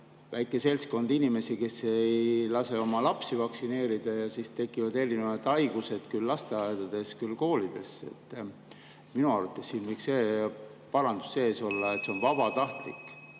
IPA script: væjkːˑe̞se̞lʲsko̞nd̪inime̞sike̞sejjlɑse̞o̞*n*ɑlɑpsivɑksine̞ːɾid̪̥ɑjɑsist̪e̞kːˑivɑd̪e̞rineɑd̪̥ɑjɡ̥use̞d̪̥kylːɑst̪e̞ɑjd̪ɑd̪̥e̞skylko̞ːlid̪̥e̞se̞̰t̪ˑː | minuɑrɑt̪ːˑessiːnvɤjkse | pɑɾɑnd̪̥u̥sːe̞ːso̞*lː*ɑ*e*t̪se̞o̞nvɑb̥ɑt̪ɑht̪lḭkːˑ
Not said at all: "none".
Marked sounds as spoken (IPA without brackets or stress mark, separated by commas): m, lː, e